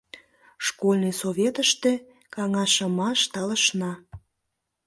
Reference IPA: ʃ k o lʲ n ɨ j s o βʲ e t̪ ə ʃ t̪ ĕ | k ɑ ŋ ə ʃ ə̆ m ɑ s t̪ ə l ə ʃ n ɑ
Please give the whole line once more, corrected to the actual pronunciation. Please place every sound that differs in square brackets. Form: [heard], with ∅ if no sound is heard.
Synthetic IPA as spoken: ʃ k o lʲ n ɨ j s o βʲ e t̪ ə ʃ t̪ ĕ | k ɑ ŋ [ɑ] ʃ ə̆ m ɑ [ʃ] t̪ [ɑ] l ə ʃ n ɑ